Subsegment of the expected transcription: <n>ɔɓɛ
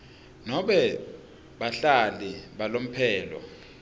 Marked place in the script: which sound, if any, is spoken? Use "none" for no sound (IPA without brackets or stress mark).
n